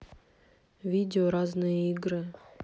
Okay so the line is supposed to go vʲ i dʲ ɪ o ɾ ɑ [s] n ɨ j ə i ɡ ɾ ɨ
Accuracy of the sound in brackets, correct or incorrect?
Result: incorrect: z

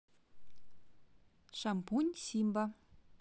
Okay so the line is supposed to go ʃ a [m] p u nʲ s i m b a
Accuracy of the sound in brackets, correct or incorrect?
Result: correct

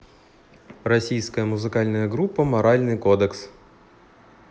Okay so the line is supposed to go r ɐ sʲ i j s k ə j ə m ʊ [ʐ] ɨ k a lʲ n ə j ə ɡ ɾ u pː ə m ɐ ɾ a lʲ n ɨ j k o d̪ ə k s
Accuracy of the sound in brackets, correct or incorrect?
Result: incorrect: z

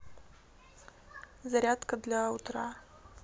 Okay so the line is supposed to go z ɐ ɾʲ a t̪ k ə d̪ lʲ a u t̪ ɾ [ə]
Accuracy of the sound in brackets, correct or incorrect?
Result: incorrect: a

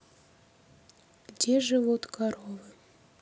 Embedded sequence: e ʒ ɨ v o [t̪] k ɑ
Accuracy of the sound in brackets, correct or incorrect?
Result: correct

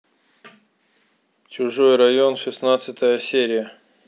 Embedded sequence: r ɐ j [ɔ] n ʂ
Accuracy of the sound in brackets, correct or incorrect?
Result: incorrect: o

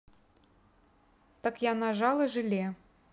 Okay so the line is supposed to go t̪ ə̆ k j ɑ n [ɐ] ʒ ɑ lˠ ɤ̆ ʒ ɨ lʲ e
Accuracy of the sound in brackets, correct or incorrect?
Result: incorrect: ɑ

